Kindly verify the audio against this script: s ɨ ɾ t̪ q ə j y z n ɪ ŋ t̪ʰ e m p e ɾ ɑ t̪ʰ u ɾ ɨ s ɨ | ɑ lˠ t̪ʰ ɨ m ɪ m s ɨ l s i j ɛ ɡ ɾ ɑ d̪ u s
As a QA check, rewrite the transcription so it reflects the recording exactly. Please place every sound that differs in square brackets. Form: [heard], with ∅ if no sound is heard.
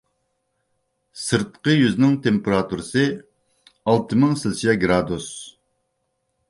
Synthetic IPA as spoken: s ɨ ɾ t̪ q ə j y z n ɪ ŋ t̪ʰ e m p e ɾ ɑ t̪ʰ u ɾ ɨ s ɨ | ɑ lˠ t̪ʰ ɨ m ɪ [ŋ] s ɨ l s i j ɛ ɡ ɾ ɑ d̪ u s